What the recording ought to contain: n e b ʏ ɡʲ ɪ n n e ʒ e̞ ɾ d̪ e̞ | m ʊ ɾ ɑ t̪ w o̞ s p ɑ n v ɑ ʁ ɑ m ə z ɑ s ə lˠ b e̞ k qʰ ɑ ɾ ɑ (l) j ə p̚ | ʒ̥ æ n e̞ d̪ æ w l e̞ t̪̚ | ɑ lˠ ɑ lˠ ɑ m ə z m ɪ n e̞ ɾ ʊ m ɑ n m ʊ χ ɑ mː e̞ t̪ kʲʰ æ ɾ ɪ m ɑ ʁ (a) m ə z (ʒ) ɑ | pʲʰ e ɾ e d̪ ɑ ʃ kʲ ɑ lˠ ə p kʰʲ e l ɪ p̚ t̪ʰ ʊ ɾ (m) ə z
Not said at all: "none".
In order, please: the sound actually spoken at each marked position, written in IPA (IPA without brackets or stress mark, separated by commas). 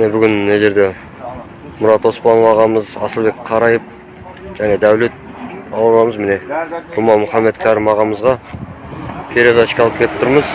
none, ɑ, ʁ, m